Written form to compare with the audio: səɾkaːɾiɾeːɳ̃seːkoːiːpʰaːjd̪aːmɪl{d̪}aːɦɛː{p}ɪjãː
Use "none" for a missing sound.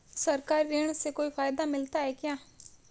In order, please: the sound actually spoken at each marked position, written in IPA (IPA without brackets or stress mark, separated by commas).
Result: t̪, k